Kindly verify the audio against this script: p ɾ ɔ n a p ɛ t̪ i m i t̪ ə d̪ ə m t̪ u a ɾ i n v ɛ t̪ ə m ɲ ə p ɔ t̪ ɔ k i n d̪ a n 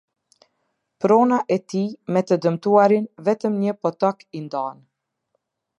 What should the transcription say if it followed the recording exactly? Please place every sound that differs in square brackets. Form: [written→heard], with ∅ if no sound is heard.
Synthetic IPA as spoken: p ɾ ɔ n a [p→ʔ] ɛ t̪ i m [i→ɛ] t̪ ə d̪ ə m t̪ u a ɾ i n v ɛ t̪ ə m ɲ ə p ɔ t̪ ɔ k i n d̪ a n